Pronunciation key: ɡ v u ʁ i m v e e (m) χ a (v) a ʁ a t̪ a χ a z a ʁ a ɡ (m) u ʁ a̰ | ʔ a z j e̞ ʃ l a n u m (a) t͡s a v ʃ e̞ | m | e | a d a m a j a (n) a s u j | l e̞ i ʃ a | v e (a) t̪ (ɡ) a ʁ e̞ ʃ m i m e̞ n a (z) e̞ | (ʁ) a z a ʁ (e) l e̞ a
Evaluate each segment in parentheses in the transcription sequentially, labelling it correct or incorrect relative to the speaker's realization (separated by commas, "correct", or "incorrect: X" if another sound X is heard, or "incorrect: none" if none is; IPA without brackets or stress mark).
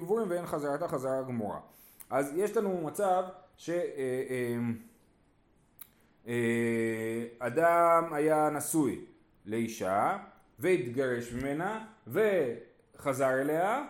incorrect: n, incorrect: z, correct, correct, correct, incorrect: i, correct, incorrect: v, incorrect: χ, correct